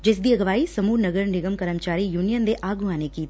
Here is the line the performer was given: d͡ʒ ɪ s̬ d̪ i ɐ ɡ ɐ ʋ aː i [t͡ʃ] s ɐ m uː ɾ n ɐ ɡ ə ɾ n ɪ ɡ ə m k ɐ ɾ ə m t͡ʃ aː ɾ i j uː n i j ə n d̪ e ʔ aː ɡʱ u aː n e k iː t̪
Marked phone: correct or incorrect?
incorrect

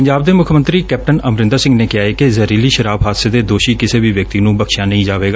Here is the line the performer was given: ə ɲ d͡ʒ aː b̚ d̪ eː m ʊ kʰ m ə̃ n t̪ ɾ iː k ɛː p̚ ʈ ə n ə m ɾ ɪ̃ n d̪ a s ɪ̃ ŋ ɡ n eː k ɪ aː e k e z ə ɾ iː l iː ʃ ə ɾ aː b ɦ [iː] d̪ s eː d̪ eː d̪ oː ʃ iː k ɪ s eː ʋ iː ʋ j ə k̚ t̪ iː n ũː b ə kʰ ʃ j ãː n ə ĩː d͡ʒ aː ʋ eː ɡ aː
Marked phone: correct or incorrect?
incorrect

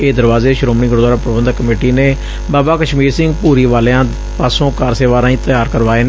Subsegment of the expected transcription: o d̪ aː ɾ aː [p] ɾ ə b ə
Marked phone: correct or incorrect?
correct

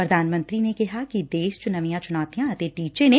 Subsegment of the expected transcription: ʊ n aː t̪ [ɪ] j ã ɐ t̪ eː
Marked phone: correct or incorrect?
incorrect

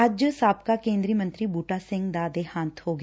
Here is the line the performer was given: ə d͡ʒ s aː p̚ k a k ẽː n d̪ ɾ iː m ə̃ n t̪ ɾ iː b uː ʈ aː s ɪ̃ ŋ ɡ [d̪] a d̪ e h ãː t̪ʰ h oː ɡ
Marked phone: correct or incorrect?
correct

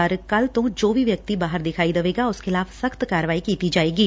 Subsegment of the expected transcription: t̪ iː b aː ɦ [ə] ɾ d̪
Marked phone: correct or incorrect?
correct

